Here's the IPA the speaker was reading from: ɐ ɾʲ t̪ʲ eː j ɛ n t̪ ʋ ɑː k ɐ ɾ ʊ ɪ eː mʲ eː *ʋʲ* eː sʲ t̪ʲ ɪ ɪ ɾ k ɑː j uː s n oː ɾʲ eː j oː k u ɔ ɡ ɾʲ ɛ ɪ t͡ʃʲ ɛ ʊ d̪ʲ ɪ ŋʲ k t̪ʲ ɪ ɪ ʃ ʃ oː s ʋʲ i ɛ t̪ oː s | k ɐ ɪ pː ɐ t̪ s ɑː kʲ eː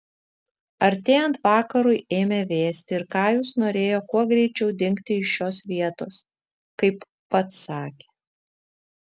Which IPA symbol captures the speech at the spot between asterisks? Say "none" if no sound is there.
ʋʲ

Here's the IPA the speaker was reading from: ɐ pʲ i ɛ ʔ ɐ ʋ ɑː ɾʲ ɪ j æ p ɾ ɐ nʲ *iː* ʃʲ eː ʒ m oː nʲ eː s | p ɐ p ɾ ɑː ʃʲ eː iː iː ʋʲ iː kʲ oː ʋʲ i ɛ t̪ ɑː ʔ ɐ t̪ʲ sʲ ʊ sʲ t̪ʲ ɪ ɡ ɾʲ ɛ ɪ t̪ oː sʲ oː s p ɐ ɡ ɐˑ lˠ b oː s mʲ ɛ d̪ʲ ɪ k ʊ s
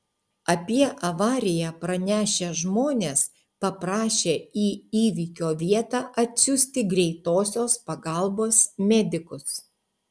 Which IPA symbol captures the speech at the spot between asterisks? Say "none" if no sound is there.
æː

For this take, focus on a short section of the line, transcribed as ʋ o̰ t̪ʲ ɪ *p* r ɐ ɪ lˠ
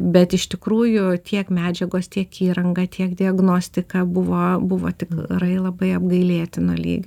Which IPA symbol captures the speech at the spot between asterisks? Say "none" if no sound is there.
k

